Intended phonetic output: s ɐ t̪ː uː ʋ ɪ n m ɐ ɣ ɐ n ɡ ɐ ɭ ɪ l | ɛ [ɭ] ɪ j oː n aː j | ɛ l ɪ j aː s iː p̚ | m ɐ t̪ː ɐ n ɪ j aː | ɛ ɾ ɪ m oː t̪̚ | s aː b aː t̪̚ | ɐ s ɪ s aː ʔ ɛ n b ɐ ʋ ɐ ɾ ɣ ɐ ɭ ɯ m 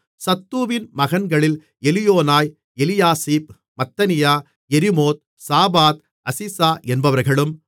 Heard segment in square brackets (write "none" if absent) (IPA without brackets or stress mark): l